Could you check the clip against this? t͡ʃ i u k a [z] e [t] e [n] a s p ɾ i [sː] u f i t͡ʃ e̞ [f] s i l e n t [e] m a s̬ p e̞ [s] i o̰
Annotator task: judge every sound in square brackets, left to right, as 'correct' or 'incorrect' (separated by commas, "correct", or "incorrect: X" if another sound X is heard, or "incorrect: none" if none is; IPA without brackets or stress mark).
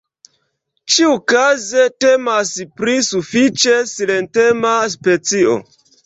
correct, correct, incorrect: m, incorrect: s, incorrect: none, correct, incorrect: t͡s